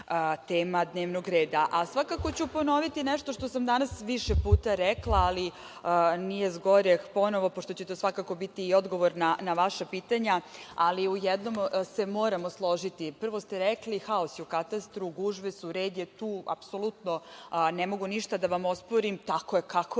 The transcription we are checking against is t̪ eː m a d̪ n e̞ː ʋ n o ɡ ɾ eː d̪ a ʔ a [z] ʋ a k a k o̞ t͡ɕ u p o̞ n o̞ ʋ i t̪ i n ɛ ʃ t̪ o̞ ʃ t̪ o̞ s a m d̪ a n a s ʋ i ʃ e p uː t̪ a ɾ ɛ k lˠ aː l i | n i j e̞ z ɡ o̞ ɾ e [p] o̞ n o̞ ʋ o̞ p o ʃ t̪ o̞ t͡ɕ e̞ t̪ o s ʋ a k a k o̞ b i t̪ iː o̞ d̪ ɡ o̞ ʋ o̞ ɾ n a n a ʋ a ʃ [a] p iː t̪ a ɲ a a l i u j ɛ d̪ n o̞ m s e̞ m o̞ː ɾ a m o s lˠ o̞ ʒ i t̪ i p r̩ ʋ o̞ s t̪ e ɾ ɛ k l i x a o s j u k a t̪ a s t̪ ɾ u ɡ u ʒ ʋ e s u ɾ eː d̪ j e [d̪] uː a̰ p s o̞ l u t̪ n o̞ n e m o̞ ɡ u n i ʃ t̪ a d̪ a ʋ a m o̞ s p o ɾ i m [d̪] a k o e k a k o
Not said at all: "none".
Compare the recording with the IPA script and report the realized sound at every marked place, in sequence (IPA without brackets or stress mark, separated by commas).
s, p, a, t̪, t̪